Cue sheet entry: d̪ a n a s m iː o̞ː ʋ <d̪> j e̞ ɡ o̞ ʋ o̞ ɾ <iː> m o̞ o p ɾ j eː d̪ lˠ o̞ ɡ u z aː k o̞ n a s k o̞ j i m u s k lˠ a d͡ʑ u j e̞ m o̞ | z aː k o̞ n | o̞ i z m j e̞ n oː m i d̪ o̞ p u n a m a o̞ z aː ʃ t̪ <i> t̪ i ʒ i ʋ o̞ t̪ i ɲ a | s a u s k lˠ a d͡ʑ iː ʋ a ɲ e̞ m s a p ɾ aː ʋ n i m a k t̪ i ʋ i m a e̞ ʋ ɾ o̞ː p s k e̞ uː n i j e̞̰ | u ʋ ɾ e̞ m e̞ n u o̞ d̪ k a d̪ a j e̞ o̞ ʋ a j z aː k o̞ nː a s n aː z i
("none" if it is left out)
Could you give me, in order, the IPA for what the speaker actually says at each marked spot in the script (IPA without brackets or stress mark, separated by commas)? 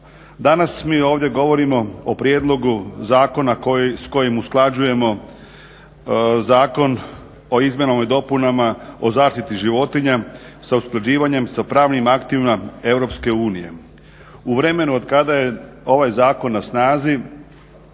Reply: d̪, i, i